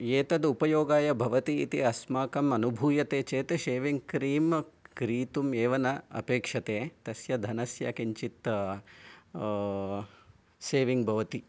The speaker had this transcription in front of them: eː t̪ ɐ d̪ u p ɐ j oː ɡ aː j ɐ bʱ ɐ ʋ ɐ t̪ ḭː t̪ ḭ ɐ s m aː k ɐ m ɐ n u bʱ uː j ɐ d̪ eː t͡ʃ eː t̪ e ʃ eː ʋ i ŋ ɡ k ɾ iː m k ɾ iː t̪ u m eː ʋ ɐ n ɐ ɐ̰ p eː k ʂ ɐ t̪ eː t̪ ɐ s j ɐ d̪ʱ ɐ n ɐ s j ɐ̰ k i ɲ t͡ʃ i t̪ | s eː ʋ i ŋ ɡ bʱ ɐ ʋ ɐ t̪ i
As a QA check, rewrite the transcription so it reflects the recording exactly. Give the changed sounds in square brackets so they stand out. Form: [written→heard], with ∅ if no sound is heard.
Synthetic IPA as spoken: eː t̪ ɐ d̪ u p ɐ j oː ɡ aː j ɐ bʱ ɐ ʋ ɐ t̪ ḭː t̪ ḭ ɐ s m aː k ɐ m ɐ n u bʱ uː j ɐ [d̪→t̪] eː t͡ʃ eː t̪ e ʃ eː ʋ i ŋ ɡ k ɾ iː m k ɾ iː t̪ u m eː ʋ ɐ n ɐ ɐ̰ p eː k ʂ ɐ t̪ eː t̪ ɐ s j ɐ d̪ʱ ɐ n ɐ s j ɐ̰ k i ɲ t͡ʃ i t̪ | s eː ʋ i ŋ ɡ bʱ ɐ ʋ ɐ t̪ i